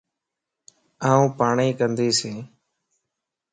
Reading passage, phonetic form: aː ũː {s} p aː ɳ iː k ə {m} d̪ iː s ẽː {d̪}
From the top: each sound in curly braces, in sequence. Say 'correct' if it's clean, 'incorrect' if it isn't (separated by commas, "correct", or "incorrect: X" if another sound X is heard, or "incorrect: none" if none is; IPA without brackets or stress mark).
incorrect: none, incorrect: n, incorrect: none